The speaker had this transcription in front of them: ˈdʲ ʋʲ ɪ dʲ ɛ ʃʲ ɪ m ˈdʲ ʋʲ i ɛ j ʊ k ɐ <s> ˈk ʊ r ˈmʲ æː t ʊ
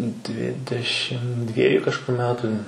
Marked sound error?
yes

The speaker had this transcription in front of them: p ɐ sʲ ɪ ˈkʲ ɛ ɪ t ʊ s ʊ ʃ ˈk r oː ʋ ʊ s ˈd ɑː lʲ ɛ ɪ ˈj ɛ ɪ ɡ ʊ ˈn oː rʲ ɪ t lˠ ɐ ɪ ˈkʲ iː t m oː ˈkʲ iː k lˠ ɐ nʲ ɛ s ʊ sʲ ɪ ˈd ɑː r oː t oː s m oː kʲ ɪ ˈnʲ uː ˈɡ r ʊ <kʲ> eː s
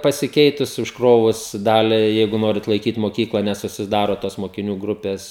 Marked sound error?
yes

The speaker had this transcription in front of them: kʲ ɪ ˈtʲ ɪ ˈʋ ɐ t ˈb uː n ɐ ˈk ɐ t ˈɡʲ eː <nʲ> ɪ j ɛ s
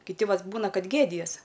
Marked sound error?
yes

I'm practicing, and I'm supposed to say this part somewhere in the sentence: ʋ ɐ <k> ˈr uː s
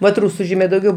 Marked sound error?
yes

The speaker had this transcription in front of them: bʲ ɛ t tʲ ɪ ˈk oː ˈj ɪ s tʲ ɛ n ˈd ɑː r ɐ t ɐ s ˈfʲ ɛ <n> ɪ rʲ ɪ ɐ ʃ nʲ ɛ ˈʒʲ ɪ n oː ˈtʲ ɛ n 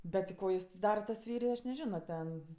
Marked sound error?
yes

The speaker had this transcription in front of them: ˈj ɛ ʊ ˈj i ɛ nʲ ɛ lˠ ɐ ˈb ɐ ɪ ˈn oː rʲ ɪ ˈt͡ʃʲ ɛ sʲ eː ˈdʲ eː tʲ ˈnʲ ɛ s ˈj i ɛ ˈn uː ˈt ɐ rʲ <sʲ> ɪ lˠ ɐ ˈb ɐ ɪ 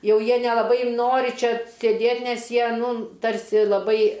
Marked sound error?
no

